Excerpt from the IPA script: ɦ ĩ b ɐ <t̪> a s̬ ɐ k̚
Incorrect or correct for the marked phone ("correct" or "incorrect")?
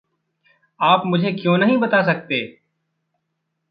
correct